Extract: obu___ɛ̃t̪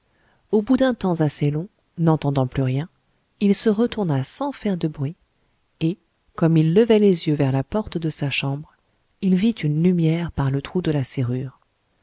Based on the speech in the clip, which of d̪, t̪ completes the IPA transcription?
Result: d̪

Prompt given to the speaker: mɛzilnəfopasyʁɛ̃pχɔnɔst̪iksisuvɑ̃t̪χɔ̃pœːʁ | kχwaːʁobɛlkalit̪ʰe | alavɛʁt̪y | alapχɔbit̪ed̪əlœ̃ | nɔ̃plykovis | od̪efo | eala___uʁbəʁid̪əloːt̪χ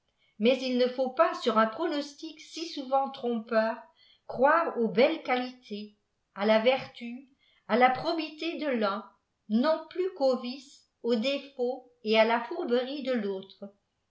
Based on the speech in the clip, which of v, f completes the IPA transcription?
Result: f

